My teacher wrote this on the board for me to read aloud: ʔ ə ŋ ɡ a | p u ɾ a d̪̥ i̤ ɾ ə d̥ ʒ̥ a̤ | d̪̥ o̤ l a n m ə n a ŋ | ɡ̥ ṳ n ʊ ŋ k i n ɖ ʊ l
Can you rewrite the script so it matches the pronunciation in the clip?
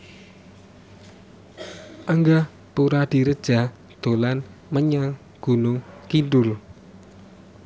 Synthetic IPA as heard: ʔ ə ŋ ɡ a | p u ɾ a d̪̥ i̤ ɾ ə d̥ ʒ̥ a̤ | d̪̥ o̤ l a n m ə ɲ a ŋ | ɡ̥ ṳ n ʊ ŋ k i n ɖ ʊ l